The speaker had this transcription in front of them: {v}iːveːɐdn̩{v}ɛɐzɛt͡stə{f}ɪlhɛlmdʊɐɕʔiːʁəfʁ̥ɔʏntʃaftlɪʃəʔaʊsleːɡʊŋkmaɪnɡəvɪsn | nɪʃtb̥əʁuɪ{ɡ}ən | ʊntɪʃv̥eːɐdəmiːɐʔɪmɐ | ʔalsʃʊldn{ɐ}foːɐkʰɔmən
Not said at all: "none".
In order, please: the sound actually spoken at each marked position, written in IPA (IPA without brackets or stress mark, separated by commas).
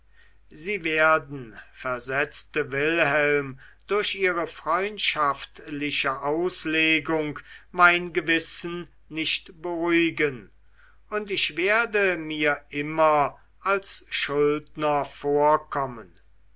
z, f, v, ɡ, ɐ